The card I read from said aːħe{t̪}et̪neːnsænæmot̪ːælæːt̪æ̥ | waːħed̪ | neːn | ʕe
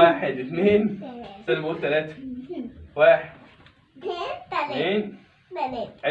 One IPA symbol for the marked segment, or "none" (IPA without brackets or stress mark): d̪